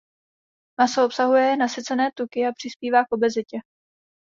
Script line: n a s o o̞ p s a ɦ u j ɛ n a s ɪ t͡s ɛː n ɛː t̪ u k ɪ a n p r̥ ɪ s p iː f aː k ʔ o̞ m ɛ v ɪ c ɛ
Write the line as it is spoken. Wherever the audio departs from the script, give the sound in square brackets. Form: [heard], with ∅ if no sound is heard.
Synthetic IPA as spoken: [m] a s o o̞ p s a ɦ u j ɛ n a s ɪ t͡s [ɛ] n ɛː t̪ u k ɪ a [∅] p r̥ ɪ s p iː [v] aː k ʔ o̞ [b] ɛ [z] ɪ c ɛ

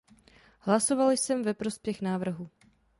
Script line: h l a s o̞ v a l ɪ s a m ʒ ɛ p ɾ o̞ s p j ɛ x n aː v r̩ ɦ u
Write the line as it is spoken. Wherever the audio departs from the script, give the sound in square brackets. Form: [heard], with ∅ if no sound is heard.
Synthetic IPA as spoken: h l a s o̞ v a l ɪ s [ɛ] m [v] ɛ p ɾ o̞ s p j ɛ x n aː v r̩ ɦ u

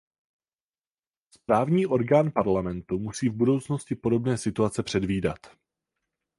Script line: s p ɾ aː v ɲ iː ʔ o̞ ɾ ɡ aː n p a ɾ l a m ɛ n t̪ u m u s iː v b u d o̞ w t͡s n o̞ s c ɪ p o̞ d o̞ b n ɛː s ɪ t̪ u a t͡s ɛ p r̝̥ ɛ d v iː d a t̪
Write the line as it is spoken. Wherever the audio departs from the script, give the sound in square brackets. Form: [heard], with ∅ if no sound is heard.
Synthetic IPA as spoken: s p ɾ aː v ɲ iː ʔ o̞ ɾ ɡ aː n p a ɾ l a m ɛ n t̪ u m u s iː v b u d o̞ w t͡s n o̞ s c ɪ p o̞ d o̞ b n ɛː s ɪ t̪ u a t͡s ɛ p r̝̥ ɛ d v iː d a t̪

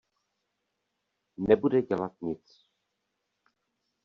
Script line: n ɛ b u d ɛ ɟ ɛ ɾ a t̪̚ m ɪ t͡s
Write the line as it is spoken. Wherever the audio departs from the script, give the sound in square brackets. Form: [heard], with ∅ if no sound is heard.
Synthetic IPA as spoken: n ɛ b u d ɛ ɟ ɛ [l] a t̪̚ [ɲ] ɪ t͡s

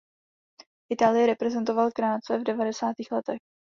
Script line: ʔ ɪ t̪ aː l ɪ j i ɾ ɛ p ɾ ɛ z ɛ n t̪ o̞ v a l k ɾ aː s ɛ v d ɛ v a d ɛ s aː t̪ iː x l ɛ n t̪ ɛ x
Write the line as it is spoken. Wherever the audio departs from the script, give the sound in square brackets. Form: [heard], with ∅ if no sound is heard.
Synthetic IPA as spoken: ʔ ɪ t̪ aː l ɪ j [ɛ] ɾ ɛ p ɾ ɛ z ɛ n t̪ o̞ v a l k ɾ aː [t͡s] ɛ v d ɛ v a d ɛ s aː t̪ iː x l ɛ [∅] t̪ ɛ x

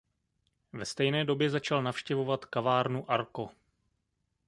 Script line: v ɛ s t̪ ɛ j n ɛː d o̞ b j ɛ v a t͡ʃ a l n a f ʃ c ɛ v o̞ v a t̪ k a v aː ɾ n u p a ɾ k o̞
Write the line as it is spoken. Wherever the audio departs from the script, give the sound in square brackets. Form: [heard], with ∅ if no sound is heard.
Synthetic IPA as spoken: v ɛ s t̪ ɛ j n ɛː d o̞ b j ɛ [z] a t͡ʃ a l n a f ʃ c ɛ v o̞ v a t̪ k a v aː ɾ n u [ʔ] a ɾ k o̞

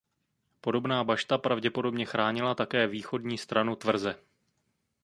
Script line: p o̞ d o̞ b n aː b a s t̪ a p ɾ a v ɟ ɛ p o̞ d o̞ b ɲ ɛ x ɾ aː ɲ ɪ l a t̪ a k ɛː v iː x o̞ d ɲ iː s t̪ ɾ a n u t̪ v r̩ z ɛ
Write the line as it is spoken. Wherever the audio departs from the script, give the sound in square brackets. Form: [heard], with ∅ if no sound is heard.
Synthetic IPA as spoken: p o̞ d o̞ b n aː b a [ʃ] t̪ a p ɾ a v ɟ ɛ p o̞ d o̞ b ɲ ɛ x ɾ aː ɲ ɪ l a t̪ a k ɛː v iː x o̞ d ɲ iː s t̪ ɾ a n u t̪ v r̩ z ɛ

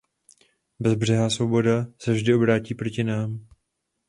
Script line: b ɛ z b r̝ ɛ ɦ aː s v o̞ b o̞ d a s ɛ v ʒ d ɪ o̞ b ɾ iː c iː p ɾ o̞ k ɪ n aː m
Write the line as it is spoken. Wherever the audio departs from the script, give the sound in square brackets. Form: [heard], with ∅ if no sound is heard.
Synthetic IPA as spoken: b ɛ z b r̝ ɛ ɦ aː s v o̞ b o̞ d a s ɛ v ʒ d ɪ o̞ b ɾ [aː] c iː p ɾ o̞ [c] ɪ n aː m

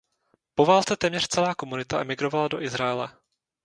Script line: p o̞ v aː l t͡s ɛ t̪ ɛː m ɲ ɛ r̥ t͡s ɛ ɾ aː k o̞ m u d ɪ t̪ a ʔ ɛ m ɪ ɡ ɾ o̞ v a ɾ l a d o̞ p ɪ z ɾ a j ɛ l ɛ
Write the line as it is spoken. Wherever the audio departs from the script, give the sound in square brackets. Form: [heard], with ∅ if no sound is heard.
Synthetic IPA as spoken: p o̞ v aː l t͡s ɛ t̪ ɛː m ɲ ɛ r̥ t͡s ɛ [l] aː k o̞ m u [n] ɪ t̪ a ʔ ɛ m ɪ ɡ ɾ o̞ v a [∅] l a d o̞ [ʔ] ɪ z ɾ a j ɛ l ɛ

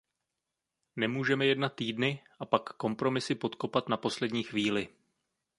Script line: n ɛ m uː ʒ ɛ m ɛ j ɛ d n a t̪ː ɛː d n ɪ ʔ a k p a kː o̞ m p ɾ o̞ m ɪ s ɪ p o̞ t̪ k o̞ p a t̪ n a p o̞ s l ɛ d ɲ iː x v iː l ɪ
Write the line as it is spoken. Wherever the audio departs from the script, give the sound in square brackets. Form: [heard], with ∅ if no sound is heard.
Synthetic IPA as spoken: n ɛ m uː ʒ ɛ m ɛ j ɛ d n a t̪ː [iː] d n ɪ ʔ a [∅] p a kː o̞ m p ɾ o̞ m ɪ s ɪ p o̞ t̪ k o̞ p a t̪ n a p o̞ s l ɛ d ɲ iː x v iː l ɪ

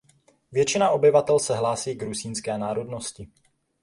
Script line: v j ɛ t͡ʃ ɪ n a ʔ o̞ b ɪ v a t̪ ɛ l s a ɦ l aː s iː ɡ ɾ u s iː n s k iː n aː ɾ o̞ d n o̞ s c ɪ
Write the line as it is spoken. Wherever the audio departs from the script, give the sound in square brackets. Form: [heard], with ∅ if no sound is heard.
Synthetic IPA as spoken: v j ɛ t͡ʃ ɪ n a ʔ o̞ b ɪ v a t̪ ɛ l s [ɛ] ɦ l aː s iː ɡ ɾ u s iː n s k [ɛː] n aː ɾ o̞ d n o̞ s c ɪ

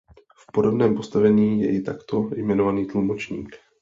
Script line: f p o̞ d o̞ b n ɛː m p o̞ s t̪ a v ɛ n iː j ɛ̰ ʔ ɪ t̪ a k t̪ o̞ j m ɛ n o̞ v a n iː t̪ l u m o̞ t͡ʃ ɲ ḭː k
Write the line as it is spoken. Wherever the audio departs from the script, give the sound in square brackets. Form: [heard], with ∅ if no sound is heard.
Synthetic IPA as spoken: f p o̞ d o̞ b n ɛː m p o̞ s t̪ a v ɛ [ɲ] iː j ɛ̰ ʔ ɪ t̪ a k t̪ o̞ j m ɛ n o̞ v a n iː t̪ l u m o̞ t͡ʃ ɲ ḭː k

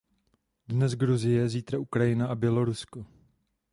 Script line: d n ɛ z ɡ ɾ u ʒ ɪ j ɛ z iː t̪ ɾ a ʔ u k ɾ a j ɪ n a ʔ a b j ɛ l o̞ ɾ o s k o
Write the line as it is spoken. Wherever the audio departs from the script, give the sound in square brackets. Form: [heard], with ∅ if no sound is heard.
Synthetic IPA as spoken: d n ɛ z ɡ ɾ u [z] ɪ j ɛ z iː t̪ ɾ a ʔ u k ɾ a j ɪ n a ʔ a b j ɛ l o̞ ɾ [u] s k o

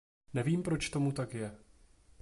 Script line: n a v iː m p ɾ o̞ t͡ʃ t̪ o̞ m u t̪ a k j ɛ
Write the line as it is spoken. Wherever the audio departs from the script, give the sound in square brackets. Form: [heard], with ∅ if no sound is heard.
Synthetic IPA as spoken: n [ɛ] v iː m p ɾ o̞ t͡ʃ t̪ o̞ m u t̪ a k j ɛ

